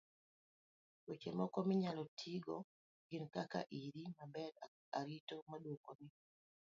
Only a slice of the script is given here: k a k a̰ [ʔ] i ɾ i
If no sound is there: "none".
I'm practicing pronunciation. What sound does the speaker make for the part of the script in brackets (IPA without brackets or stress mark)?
ʔ